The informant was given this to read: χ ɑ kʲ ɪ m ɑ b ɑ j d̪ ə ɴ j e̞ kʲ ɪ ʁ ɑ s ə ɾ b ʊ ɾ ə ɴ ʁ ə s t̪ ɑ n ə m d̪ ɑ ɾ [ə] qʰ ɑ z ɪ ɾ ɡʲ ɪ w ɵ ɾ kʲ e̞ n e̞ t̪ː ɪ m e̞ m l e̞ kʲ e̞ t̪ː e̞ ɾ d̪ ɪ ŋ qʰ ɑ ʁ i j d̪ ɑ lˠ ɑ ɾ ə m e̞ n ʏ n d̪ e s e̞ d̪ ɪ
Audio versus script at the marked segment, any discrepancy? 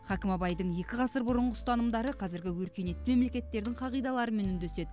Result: no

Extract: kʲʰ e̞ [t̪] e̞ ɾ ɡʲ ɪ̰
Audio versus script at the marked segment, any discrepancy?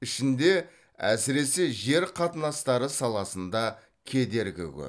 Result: yes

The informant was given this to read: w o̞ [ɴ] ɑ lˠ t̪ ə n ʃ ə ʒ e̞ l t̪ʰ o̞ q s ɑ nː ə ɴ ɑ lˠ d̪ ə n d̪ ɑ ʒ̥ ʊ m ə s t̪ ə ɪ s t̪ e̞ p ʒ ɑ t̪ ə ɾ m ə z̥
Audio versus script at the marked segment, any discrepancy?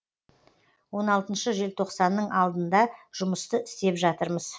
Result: yes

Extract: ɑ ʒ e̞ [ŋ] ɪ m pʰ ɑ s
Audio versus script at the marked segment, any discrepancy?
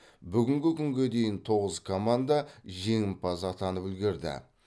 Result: no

